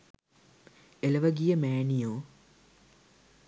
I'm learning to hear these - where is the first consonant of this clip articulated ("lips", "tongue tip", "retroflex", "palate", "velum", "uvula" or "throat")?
tongue tip